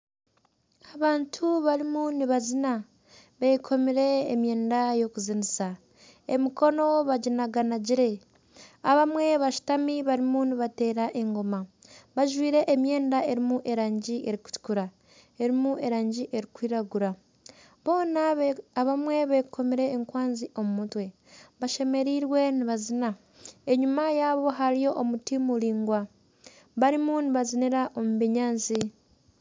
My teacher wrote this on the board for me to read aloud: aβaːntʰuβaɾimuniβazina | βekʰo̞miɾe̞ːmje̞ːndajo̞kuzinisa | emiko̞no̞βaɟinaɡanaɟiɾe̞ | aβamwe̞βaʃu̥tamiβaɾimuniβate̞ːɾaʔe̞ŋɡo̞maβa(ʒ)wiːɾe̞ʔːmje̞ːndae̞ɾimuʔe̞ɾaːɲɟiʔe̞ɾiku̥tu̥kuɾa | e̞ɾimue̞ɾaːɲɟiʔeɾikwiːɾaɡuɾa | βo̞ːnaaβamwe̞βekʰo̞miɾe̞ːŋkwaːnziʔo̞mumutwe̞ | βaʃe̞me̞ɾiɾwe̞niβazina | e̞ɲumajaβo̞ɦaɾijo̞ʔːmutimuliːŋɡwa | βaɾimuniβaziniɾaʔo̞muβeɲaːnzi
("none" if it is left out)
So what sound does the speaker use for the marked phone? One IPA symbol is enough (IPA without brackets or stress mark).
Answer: ʒ